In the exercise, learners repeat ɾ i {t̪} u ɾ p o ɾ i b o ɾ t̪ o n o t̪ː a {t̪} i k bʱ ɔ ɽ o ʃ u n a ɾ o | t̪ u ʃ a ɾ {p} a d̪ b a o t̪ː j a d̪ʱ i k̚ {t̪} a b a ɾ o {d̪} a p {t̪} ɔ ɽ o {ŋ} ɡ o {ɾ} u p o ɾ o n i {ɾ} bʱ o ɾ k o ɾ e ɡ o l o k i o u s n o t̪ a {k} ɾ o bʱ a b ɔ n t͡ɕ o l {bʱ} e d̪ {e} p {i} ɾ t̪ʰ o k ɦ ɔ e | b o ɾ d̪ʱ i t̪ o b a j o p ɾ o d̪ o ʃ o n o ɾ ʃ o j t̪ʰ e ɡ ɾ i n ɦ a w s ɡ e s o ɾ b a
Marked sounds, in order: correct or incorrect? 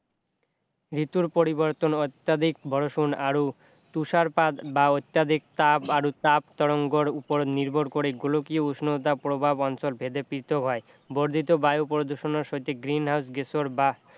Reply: correct, incorrect: d̪, correct, correct, incorrect: t̪, correct, correct, correct, correct, incorrect: p, correct, correct, correct

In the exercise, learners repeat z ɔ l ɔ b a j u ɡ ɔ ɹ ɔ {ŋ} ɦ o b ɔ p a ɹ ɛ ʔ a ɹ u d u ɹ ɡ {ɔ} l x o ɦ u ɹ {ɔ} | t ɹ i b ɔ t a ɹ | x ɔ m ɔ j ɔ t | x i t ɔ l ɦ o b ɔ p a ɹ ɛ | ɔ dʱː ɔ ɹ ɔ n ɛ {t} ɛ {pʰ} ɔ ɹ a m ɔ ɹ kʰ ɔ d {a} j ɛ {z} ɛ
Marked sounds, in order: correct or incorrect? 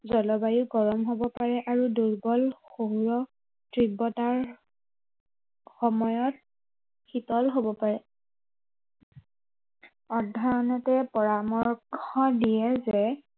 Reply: incorrect: m, correct, correct, correct, incorrect: p, incorrect: i, correct

